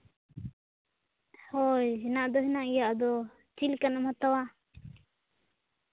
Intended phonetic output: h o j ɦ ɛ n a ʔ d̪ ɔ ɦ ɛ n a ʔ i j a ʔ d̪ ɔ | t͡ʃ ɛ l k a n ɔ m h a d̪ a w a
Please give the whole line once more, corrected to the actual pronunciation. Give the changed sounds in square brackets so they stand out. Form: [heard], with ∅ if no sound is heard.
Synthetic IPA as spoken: h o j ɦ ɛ n a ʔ d̪ ɔ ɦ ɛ n a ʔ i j a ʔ d̪ ɔ | t͡ʃ [i] l k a n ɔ m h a [t̪] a w a